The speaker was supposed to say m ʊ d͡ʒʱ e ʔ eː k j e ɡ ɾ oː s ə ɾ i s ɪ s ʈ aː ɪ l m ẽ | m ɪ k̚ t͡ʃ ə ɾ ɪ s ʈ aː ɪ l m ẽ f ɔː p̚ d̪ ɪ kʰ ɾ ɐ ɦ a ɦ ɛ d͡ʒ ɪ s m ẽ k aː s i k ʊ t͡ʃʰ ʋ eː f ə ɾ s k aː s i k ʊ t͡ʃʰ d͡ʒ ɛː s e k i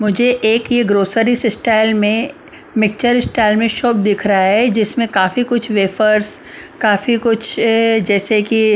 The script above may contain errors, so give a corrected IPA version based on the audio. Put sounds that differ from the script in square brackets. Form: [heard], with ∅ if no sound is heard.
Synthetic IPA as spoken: m ʊ d͡ʒʱ e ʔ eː k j e ɡ ɾ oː s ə ɾ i s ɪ s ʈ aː ɪ l m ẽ | m ɪ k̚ t͡ʃ ə ɾ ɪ s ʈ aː ɪ l m ẽ [ʃ] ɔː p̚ d̪ ɪ kʰ ɾ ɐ ɦ a ɦ ɛ d͡ʒ ɪ s m ẽ k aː [f] i k ʊ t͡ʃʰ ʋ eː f ə ɾ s k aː [f] i k ʊ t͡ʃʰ d͡ʒ ɛː s e k i